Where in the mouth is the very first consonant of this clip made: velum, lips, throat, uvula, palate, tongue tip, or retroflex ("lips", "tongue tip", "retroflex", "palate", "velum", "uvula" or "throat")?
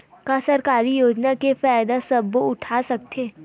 velum